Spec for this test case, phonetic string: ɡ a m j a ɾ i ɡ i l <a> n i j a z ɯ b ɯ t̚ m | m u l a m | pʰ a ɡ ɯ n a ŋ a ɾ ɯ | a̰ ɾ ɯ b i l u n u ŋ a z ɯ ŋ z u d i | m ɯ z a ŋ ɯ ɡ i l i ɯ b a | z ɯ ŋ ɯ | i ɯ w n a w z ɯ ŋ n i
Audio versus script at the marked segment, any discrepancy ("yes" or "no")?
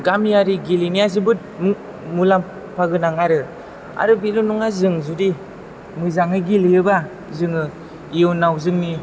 yes